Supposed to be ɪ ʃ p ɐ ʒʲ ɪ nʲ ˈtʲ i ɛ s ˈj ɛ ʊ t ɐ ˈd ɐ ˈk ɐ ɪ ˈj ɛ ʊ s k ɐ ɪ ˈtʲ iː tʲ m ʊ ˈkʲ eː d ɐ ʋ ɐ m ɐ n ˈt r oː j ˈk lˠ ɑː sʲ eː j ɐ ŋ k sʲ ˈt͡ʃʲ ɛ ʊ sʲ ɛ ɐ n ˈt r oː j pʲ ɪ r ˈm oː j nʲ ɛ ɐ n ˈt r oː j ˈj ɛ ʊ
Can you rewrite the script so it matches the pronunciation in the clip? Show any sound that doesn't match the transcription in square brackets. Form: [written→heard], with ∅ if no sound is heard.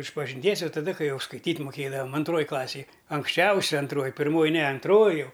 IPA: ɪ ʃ p ɐ ʒʲ ɪ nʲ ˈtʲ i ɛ s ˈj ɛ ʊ t ɐ ˈd ɐ ˈk ɐ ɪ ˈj ɛ ʊ s k ɐ ɪ ˈtʲ iː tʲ m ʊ ˈkʲ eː d ɐ ʋ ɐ m ɐ n ˈt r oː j ˈk lˠ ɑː sʲ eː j ɐ ŋ k sʲ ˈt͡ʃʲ ɛ ʊ sʲ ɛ ɐ n ˈt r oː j pʲ ɪ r ˈm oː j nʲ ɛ ɐ n ˈt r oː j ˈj ɛ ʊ